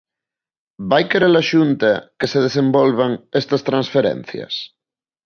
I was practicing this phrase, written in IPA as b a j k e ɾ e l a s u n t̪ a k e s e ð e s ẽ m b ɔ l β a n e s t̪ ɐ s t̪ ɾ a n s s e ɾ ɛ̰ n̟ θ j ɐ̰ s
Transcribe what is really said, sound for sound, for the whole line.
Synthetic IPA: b a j k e ɾ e l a ʃ u n t̪ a k e s e ð e s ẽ m b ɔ l β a ŋ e s t̪ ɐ s t̪ ɾ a n s f e ɾ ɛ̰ n̟ θ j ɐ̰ s